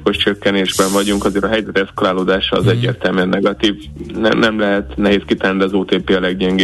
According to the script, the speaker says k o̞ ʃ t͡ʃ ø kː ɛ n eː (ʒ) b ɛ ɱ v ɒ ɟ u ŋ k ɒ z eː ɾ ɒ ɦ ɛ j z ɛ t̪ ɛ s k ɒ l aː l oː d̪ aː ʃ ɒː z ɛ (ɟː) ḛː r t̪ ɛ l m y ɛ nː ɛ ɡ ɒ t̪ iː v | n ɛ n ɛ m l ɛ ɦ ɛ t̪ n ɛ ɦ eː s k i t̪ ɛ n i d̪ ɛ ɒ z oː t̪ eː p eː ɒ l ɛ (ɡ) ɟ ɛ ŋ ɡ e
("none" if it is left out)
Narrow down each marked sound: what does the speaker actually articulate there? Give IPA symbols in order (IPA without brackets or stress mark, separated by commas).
ʒ, ɟː, ɡ